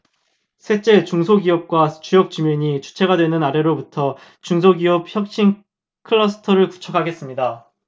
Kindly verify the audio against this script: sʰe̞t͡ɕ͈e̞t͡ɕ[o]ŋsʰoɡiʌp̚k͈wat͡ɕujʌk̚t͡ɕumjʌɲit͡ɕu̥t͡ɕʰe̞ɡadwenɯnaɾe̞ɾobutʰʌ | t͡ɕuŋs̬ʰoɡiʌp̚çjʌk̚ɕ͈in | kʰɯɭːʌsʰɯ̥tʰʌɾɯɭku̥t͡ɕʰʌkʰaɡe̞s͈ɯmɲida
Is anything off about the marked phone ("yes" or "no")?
yes